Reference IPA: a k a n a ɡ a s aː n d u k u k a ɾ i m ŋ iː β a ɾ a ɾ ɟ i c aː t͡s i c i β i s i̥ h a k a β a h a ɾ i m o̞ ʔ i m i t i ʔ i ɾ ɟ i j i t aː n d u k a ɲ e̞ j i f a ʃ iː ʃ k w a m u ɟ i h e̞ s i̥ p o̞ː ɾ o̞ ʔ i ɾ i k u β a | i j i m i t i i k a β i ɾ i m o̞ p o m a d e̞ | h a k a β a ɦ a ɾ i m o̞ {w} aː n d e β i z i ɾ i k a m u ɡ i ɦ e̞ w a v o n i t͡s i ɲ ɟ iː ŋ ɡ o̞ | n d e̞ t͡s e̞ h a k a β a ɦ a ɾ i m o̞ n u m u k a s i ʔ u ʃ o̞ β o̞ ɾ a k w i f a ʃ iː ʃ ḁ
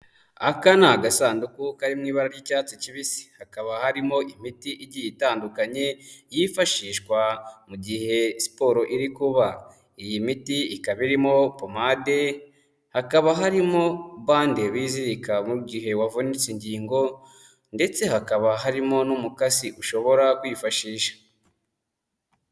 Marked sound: incorrect: β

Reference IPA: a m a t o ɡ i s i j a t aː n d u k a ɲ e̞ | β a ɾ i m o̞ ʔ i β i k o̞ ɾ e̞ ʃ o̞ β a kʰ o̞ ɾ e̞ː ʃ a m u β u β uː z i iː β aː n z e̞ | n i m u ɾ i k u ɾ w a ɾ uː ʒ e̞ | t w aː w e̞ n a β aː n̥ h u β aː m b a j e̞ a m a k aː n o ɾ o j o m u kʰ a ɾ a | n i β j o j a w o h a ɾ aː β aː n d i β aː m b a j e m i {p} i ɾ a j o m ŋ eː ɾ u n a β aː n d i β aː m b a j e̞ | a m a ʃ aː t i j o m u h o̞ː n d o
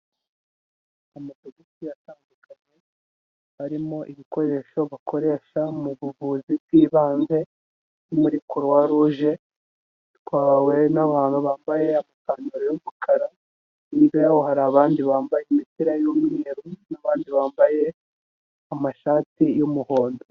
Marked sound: incorrect: t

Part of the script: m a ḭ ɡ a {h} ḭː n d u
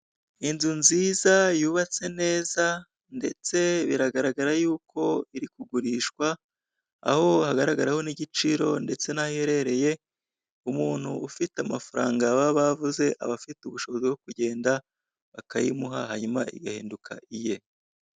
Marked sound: correct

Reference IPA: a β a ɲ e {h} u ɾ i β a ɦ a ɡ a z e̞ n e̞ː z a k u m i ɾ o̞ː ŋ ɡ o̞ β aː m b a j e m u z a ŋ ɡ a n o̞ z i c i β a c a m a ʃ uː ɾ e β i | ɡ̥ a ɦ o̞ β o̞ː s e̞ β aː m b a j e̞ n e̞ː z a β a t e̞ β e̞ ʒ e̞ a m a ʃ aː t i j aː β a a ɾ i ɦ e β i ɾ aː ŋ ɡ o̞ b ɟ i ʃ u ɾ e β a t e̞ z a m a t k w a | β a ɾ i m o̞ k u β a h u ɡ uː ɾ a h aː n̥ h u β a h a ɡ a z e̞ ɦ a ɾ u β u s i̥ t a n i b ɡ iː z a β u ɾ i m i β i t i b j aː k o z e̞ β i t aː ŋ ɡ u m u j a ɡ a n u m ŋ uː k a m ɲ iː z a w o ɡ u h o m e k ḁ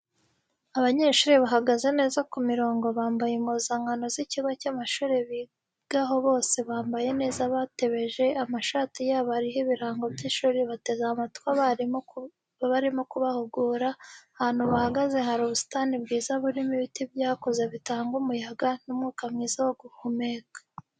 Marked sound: incorrect: ʃ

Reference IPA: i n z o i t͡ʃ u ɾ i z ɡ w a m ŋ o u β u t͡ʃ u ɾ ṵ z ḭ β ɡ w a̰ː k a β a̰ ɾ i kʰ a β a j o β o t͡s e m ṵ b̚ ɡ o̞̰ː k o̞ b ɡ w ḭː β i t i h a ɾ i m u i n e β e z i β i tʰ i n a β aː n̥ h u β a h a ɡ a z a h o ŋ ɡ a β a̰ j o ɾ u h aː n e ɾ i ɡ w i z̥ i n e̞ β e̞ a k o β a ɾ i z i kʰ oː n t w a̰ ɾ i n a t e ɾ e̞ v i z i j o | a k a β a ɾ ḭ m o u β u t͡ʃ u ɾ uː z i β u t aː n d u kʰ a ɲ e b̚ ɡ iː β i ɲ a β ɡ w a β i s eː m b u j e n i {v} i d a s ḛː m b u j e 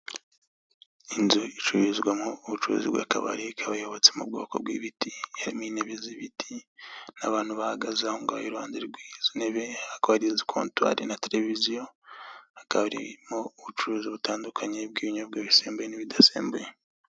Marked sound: incorrect: β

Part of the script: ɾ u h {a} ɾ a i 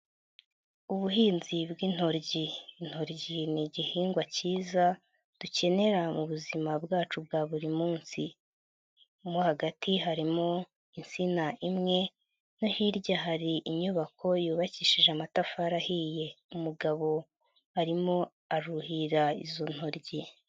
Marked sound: incorrect: i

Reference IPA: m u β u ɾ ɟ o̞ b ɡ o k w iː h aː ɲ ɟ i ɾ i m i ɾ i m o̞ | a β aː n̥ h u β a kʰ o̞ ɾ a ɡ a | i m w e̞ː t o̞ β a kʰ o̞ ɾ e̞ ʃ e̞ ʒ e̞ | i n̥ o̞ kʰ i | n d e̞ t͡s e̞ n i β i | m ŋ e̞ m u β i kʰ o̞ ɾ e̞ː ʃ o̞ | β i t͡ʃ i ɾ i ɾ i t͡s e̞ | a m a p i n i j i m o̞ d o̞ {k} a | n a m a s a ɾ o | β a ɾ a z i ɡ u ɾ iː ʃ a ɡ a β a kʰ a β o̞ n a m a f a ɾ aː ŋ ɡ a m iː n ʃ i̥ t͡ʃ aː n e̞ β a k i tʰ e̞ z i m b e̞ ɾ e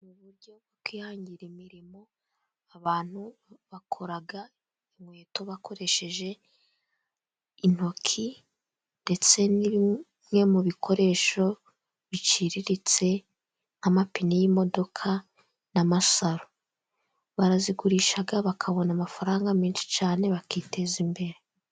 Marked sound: incorrect: kʰ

